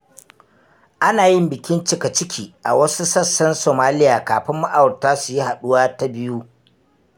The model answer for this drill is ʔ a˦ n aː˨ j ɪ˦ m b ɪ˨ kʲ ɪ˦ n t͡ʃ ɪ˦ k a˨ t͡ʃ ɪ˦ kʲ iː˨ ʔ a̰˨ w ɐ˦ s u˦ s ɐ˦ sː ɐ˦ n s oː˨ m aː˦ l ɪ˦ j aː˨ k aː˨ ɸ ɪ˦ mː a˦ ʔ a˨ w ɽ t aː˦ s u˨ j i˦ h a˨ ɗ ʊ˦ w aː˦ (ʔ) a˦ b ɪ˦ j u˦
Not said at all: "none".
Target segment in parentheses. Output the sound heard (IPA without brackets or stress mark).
t